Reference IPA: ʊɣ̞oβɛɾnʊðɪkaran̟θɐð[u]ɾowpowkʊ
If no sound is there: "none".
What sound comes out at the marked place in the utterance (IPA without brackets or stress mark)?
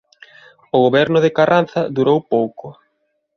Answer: u